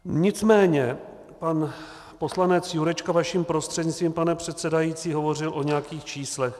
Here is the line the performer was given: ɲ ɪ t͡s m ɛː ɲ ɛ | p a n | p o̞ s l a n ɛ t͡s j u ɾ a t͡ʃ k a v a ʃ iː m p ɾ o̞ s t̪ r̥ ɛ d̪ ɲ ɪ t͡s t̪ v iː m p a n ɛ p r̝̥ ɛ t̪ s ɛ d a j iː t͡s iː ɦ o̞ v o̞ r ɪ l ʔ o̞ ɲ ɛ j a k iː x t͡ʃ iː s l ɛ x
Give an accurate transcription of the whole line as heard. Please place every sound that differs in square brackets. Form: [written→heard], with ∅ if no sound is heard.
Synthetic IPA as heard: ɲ ɪ t͡s m ɛː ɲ ɛ | p a n | p o̞ s l a n ɛ t͡s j u ɾ [a→ɛ] t͡ʃ k a v a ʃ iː m p ɾ o̞ s t̪ r̥ ɛ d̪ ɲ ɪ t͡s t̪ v iː m p a n ɛ p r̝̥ ɛ t̪ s ɛ d a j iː t͡s iː ɦ o̞ v o̞ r ɪ l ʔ o̞ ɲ ɛ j a k iː x t͡ʃ iː s l ɛ x